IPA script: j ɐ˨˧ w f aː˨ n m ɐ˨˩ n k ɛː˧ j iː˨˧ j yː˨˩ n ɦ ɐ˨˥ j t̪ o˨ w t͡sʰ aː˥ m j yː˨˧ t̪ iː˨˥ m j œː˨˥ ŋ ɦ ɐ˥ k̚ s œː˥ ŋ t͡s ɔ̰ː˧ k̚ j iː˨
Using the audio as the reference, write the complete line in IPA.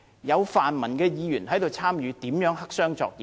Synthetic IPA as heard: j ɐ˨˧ w f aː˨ n m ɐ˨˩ n k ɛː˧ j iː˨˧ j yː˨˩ n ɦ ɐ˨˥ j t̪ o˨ w t͡sʰ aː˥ m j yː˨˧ t̪ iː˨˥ m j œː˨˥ ŋ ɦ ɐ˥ k̚ s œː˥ ŋ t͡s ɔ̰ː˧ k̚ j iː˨